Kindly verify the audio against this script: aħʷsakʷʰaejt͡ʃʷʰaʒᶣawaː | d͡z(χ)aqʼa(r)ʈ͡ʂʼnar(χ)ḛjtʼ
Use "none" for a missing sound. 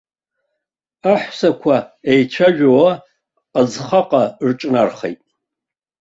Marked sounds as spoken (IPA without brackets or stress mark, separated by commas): χ, r, χ